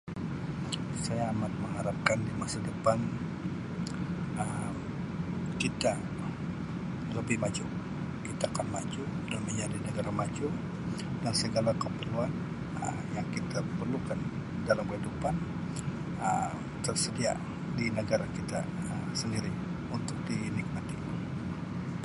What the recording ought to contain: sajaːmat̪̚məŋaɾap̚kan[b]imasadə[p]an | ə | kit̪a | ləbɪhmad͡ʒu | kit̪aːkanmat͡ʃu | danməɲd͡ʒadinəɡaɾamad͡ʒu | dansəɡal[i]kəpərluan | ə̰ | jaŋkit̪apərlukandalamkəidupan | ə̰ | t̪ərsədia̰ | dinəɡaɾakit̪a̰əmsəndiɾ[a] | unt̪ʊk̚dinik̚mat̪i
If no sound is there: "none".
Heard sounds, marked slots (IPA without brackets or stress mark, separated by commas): d, p, a, i